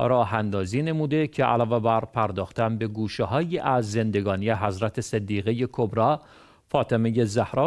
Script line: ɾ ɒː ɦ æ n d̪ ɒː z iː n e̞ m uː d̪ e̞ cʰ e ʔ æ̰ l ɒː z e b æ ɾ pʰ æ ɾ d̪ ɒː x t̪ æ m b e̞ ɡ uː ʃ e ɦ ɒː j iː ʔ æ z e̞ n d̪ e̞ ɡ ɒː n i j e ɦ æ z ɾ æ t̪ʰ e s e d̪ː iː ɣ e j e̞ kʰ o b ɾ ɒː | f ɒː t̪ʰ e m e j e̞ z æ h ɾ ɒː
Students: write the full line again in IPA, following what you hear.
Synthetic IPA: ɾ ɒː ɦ æ n d̪ ɒː z iː n e̞ m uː d̪ e̞ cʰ e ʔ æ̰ l ɒː v e b æ ɾ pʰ æ ɾ d̪ ɒː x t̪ æ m b e̞ ɡ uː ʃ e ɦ ɒː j iː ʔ æ zː e̞ n d̪ e̞ ɡ ɒː n i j e ɦ æ z ɾ æ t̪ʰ e s e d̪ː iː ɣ e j e̞ kʰ o b ɾ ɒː | f ɒː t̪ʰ e m e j e̞ z æ h ɾ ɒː